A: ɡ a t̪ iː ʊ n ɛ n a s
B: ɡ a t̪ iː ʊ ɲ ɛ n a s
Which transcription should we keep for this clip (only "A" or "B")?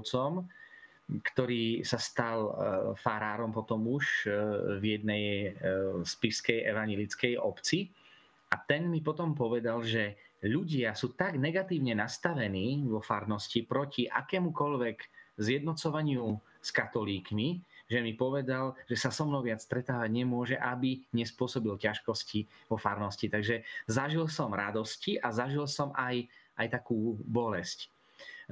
B